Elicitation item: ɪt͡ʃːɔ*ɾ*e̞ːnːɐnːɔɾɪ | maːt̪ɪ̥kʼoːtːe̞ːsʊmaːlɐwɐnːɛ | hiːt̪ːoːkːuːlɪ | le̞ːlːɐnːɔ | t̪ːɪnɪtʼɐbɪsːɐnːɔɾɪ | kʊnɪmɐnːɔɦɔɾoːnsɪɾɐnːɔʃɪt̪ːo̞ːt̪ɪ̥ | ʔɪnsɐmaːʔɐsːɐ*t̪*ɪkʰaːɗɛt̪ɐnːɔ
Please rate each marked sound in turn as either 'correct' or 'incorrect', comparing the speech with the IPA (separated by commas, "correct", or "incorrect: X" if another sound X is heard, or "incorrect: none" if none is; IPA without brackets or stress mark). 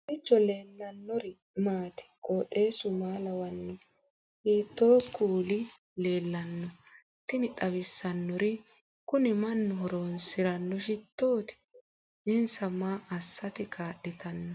incorrect: l, correct